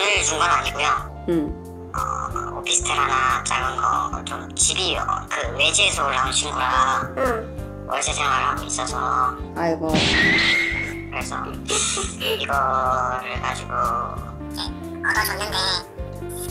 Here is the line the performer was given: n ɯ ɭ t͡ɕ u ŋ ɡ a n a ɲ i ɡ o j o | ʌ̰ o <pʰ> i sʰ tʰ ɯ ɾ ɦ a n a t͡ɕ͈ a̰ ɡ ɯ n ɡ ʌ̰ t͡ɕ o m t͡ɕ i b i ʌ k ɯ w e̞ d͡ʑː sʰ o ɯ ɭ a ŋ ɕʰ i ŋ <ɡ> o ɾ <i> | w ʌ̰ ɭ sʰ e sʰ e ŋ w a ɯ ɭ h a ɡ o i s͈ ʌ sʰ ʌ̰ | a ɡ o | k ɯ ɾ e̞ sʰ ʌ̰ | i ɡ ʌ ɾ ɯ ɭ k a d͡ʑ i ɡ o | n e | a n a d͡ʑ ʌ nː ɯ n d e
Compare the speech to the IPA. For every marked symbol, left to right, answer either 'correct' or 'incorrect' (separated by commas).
correct, correct, incorrect